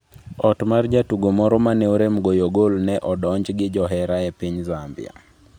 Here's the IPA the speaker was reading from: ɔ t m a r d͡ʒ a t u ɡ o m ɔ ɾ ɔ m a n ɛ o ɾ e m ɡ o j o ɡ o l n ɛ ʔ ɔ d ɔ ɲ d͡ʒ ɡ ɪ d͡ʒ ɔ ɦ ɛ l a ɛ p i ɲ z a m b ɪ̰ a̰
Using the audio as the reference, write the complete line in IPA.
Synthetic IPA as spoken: ɔ t m a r d͡ʒ a t u ɡ o m ɔ ɾ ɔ m a n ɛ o ɾ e m ɡ o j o ɡ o l n ɛ ʔ ɔ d ɔ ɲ d͡ʒ ɡ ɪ d͡ʒ ɔ ɦ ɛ ɾ a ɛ p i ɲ z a m b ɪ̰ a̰

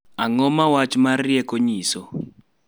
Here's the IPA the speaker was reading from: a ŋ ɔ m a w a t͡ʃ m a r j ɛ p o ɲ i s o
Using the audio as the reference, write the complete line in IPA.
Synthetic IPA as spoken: a ŋ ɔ m a w a t͡ʃ m a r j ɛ k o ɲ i s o

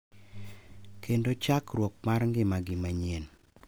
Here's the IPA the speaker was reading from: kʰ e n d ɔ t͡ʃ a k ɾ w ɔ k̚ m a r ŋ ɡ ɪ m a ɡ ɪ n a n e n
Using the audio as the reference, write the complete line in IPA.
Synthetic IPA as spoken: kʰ e n d o t͡ʃ a k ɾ w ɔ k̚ m a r ŋ ɡ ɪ m a ɡ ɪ m a ɲ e n

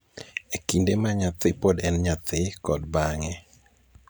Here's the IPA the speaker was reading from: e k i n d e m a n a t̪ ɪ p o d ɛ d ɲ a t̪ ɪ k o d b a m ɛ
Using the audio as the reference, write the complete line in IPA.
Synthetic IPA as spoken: e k i n d e m a ɲ a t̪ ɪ p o d ɛ n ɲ a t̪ ɪ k ɔ d b a ŋ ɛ

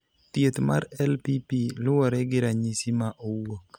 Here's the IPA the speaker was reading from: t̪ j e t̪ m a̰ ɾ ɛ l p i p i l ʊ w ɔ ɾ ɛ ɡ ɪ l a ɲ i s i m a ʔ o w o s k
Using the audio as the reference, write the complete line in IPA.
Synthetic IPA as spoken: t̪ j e t̪ m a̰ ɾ ɛ l p i p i l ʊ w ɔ ɾ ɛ ɡ ɪ ɾ a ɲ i s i m a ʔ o w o k

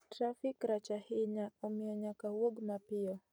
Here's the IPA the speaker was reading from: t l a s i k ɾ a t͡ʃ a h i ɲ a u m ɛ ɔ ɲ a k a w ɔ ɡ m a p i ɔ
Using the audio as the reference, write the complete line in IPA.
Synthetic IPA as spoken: t ɾ a f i k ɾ a t͡ʃ a h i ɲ a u m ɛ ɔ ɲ a k a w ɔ ɡ m a p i ɔ

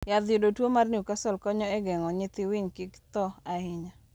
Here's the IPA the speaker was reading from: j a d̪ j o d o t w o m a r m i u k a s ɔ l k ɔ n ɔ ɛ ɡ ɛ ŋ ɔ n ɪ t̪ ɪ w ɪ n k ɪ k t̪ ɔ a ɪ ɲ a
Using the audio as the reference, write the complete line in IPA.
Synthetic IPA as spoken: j a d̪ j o d o t w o m a r n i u k a s ɔ l k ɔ ɲ ɔ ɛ ɡ ɛ ŋ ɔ ɲ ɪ t̪ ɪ w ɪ ɲ k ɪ k t̪ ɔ a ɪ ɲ a

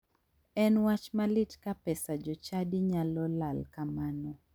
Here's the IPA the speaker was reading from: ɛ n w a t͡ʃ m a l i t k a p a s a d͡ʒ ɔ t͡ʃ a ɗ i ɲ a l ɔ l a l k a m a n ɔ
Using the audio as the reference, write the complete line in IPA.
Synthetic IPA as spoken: ɛ n w a t͡ʃ m a l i t k a p ɛ s a d͡ʒ ɔ t͡ʃ a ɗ i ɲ a l ɔ l a l k a m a n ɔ

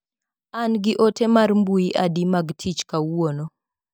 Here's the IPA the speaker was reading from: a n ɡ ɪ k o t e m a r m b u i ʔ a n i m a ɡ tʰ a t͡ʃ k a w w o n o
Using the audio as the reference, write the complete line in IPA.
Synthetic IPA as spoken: a n ɡ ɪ ʔ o t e m a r m b u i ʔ a d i m a ɡ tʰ i t͡ʃ k a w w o n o

